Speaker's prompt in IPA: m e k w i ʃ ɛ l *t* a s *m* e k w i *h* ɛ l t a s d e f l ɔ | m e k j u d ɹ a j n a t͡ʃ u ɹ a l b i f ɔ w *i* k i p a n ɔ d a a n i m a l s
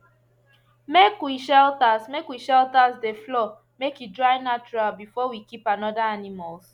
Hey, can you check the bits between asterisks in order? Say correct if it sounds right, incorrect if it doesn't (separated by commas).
correct, correct, incorrect, correct